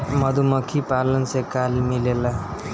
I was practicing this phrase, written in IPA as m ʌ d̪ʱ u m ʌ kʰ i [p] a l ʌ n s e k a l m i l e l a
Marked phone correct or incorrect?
correct